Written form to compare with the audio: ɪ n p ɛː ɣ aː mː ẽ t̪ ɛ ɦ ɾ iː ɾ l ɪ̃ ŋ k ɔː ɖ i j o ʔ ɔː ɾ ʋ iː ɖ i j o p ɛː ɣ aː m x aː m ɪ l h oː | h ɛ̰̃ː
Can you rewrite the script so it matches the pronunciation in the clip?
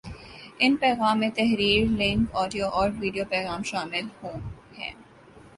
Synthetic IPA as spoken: ɪ n p ɛː ɣ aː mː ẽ t̪ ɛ ɦ ɾ iː ɾ l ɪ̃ ŋ k ɔː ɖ i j o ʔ ɔː ɾ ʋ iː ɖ i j o p ɛː ɣ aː m ʃ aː m ɪ l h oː | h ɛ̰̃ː